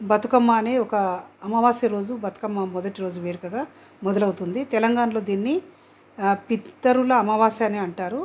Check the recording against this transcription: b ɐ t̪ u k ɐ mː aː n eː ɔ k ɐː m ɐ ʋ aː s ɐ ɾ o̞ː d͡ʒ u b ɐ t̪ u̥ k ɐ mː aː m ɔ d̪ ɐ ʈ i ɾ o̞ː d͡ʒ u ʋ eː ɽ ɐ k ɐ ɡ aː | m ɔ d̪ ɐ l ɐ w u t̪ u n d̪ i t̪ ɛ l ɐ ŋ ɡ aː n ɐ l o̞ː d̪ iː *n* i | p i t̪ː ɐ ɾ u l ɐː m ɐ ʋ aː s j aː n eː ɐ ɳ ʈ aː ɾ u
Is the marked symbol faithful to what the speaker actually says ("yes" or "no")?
no